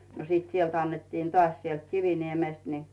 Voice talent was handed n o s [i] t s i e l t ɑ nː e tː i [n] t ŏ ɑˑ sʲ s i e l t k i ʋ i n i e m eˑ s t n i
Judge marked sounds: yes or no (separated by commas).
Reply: no, yes